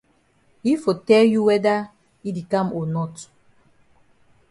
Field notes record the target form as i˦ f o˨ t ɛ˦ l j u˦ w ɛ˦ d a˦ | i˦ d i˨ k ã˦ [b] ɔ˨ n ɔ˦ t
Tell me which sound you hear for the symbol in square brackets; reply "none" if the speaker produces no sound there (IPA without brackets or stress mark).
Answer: m